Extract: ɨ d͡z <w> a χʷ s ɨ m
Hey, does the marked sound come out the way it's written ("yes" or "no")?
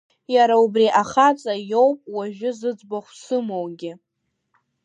no